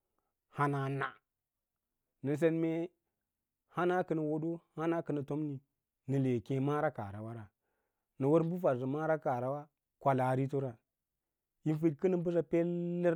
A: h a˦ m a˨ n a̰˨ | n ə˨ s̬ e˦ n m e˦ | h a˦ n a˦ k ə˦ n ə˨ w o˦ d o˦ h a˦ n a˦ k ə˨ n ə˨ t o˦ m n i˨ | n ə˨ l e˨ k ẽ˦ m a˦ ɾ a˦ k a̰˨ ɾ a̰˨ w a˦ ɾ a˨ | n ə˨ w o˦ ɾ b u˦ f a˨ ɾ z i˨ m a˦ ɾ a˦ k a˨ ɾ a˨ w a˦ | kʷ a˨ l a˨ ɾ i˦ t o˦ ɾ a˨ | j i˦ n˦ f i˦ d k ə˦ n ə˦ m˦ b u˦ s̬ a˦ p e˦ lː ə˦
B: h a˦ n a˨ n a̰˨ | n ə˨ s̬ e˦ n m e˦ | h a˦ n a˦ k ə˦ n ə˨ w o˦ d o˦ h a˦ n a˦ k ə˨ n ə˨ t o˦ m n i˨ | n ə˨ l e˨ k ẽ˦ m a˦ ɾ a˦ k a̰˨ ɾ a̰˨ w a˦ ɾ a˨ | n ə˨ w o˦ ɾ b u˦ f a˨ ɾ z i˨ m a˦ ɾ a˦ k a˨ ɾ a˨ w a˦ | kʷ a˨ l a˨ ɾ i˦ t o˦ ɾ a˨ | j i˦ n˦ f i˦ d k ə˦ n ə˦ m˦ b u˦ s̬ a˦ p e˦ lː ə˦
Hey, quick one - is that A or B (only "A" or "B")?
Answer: B